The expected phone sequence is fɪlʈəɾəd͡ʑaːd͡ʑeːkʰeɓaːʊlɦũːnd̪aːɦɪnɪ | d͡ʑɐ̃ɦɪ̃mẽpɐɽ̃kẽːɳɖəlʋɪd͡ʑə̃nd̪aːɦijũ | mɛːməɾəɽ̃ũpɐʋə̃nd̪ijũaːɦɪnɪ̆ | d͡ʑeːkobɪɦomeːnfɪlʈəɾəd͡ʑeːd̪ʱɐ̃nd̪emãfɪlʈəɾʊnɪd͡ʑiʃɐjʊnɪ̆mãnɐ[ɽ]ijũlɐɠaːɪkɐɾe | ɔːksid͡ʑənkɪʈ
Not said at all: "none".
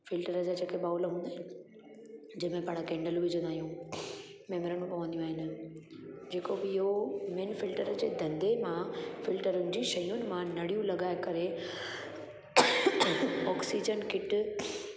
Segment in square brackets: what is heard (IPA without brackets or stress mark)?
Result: ɽ